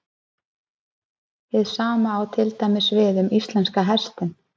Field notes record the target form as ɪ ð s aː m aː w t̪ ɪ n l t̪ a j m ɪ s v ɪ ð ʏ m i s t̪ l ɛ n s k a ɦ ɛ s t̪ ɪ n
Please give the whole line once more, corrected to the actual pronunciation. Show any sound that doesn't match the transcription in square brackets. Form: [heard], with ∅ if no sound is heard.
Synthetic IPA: ɪ ð s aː m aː w [t̪ʰ] ɪ [∅] l t̪ a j m ɪ s v ɪ ð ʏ m i s t̪ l ɛ n s k a ɦ ɛ s t̪ ɪ n